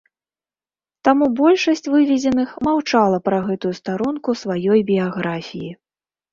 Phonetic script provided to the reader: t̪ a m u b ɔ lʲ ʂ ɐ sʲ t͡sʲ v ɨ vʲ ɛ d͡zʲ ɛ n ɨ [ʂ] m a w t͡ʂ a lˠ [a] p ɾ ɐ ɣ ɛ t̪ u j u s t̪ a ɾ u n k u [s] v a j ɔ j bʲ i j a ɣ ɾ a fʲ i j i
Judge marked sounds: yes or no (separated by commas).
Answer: no, no, yes